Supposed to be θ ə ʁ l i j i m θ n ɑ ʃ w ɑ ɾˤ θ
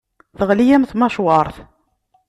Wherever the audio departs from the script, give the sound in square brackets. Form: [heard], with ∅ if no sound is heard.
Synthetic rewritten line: θ ə ʁ l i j [æ] m θ [m] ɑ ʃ w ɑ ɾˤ θ